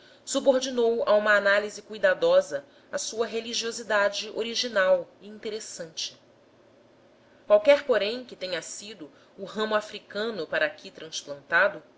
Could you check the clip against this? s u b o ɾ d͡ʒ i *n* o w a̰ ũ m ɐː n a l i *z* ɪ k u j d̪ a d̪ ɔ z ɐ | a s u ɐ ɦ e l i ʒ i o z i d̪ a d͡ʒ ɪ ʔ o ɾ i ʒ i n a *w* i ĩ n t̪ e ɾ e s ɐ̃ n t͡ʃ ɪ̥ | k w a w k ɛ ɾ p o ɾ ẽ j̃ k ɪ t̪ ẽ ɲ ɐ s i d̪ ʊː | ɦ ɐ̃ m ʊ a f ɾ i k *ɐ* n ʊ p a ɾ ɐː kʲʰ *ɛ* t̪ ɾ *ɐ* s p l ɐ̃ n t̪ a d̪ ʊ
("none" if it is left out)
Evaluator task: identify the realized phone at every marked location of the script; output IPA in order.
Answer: n, z, w, ɐ̃, i, ɐ̃

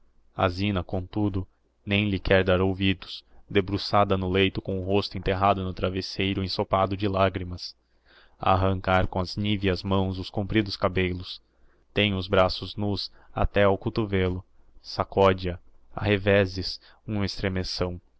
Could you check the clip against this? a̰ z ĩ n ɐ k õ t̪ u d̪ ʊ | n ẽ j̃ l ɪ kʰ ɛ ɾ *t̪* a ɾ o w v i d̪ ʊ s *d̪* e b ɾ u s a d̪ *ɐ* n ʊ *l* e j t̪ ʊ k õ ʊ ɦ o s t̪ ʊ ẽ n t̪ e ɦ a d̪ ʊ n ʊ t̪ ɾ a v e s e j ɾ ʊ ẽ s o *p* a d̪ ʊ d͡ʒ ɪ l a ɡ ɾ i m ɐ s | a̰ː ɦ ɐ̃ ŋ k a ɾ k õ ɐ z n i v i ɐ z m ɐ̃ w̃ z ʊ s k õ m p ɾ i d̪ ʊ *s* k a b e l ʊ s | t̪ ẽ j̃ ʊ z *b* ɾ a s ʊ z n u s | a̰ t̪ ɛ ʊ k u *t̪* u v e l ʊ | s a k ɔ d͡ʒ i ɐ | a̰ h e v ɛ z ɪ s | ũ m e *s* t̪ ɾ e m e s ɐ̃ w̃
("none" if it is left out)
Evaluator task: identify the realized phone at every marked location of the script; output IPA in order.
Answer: d̪, d̪, ɐ, l, p, s, b, t̪, s

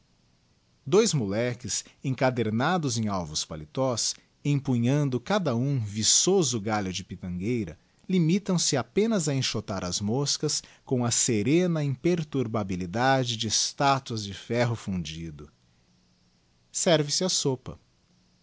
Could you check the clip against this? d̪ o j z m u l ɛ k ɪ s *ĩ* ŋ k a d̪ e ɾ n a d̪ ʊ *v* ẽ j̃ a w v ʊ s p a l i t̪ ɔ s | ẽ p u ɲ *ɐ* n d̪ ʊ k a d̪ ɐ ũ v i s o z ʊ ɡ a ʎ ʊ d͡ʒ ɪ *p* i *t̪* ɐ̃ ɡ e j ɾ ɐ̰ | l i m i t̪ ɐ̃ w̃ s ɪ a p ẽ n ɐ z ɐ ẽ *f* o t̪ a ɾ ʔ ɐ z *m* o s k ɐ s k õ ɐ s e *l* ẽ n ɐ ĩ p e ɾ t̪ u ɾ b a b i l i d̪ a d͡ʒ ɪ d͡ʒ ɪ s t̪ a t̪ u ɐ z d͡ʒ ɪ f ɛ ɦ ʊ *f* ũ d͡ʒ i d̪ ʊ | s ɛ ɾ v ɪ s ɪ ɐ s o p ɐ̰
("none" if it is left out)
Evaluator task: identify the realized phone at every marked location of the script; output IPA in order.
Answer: ẽ, z, ɐ̃, p, t̪, ʃ, m, ɾ, f

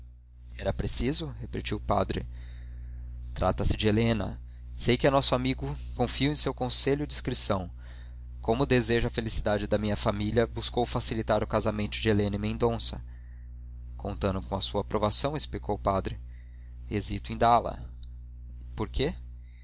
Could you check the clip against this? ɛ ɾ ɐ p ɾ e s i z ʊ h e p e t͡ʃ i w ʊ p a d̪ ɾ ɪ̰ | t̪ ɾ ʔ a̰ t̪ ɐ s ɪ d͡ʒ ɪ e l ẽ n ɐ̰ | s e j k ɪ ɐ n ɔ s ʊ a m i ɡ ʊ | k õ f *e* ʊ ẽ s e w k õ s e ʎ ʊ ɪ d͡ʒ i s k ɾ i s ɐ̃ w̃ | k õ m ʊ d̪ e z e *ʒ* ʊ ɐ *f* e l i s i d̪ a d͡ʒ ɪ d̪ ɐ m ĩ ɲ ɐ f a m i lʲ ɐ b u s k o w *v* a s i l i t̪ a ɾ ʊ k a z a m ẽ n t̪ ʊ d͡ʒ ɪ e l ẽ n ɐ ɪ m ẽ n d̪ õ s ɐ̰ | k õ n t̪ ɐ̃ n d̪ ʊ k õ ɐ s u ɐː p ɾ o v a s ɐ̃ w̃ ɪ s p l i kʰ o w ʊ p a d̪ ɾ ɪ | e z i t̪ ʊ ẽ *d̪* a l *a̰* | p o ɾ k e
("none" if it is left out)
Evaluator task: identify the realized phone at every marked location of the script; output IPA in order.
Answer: i, ʒ, f, f, d̪, ɐ̰

